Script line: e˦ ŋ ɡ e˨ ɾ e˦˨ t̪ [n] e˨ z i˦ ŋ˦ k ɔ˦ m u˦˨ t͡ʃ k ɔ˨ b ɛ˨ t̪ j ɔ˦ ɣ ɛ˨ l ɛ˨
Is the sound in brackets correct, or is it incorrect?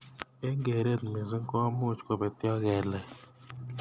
incorrect: m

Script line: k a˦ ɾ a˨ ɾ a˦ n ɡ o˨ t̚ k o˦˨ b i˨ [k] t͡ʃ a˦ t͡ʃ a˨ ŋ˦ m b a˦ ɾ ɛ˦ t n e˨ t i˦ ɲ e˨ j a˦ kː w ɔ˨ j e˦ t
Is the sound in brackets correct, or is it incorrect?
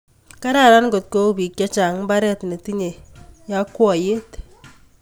correct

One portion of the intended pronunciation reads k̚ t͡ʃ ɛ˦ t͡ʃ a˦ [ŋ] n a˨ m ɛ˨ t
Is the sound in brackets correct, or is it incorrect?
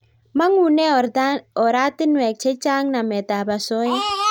correct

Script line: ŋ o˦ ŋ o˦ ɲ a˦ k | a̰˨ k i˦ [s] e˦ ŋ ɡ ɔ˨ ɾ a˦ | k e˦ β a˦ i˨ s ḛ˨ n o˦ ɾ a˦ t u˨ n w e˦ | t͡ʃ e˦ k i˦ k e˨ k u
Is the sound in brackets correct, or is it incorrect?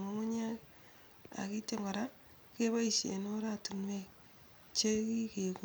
incorrect: t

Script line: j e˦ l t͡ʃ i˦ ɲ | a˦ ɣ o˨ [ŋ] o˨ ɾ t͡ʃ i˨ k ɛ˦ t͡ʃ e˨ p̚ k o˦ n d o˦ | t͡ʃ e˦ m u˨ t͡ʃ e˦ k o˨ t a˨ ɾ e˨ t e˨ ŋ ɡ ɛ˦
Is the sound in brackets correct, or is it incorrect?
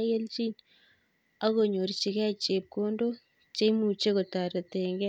incorrect: ɲ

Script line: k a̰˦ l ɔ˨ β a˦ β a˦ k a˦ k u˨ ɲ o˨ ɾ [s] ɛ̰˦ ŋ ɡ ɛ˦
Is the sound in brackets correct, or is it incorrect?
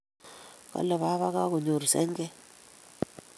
correct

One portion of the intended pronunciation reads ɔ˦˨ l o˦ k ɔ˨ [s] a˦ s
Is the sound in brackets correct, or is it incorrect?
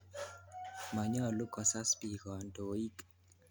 correct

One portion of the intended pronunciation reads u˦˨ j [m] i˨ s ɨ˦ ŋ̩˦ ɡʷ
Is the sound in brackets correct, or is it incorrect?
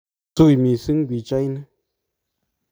correct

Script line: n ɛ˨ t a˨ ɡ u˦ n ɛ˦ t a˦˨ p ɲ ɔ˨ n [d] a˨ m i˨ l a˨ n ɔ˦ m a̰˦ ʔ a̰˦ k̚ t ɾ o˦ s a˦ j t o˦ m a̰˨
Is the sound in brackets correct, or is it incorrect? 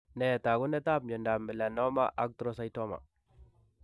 correct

